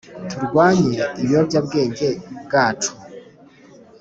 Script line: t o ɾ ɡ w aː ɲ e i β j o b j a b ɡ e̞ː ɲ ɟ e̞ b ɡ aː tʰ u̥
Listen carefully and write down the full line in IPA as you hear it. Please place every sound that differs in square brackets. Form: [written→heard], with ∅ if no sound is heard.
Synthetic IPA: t [o→u] ɾ ɡ w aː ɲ e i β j o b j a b ɡ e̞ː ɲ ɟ e̞ b ɡ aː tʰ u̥